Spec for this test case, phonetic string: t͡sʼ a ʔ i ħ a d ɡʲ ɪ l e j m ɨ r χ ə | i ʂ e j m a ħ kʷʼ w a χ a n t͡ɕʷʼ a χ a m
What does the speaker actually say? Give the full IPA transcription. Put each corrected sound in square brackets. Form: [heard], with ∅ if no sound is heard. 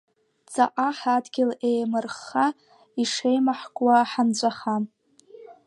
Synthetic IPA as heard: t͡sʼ a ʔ [a] ħ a d ɡʲ ɪ l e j m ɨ r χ [a] | i ʂ e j m a ħ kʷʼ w a [ħ] a n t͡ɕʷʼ a χ a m